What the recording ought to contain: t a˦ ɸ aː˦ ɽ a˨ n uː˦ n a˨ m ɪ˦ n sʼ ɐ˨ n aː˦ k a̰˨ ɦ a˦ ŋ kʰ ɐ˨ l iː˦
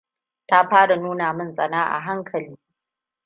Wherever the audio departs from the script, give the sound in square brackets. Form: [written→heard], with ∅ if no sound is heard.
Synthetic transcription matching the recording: t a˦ ɸ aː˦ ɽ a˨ n uː˦ n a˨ m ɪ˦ n sʼ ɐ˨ n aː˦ [k→ʔ] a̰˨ ɦ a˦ ŋ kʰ ɐ˨ l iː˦